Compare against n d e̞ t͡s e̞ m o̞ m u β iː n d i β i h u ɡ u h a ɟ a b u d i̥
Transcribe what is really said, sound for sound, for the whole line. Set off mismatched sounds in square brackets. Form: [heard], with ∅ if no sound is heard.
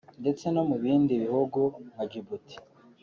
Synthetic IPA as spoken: n d e̞ t͡s e̞ [n] o̞ m u β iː n d i β i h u ɡ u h a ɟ [i] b u [t] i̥